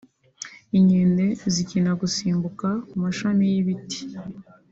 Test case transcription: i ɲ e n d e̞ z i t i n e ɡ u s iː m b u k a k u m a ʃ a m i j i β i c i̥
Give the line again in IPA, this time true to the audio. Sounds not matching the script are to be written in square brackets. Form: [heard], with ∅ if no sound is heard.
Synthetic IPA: i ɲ e n d e̞ z i [c] i n [a] ɡ u s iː m b u k a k u m a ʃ a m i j i β i [t] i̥